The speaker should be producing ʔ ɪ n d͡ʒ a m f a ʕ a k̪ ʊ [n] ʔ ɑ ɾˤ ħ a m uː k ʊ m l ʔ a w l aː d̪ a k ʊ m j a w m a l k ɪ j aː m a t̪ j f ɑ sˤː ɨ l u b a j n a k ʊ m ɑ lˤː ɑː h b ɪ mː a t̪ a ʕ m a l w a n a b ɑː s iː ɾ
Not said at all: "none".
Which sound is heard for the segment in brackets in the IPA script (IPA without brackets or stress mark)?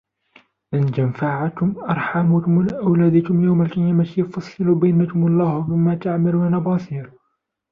m